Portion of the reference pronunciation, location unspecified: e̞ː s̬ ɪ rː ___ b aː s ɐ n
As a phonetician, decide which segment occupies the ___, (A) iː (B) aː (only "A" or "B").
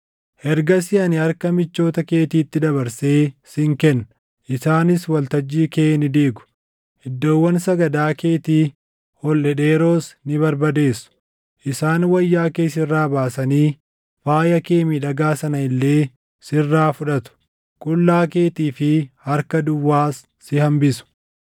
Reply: B